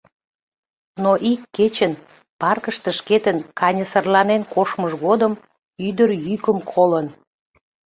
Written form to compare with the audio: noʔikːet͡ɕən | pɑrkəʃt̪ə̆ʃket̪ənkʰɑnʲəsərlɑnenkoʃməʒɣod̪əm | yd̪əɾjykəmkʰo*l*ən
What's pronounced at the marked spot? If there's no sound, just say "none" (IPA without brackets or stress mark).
l